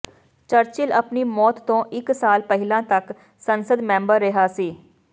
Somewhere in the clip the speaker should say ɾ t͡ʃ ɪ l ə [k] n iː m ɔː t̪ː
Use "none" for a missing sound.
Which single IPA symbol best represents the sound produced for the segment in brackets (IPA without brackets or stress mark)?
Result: p